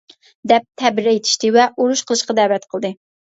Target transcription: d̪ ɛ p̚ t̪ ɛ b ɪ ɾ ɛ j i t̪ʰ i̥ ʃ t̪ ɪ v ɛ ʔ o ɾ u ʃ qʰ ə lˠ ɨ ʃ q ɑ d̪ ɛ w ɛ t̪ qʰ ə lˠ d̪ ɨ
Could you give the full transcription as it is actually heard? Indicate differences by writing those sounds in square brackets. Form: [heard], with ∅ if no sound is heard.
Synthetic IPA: d̪ ɛ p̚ [t̪ʰ] ɛ b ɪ ɾ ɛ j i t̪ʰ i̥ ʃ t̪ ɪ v ɛ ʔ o ɾ u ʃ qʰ ə lˠ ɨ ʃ q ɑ d̪ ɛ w ɛ t̪ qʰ ə lˠ d̪ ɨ